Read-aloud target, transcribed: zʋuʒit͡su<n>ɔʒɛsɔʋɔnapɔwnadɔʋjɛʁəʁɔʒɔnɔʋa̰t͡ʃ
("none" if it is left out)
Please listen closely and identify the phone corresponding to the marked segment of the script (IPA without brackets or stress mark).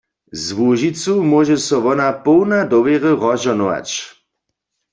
m